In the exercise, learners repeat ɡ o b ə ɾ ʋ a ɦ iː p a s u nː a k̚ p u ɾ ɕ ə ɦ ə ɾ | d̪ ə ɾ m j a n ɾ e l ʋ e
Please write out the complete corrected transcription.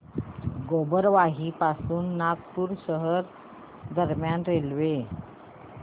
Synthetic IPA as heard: ɡ o b ə ɾ ʋ a ɦ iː p a s uː nː a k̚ p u ɾ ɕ ə ɦ ə ɾ | d̪ ə ɾ m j a n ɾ e l ʋ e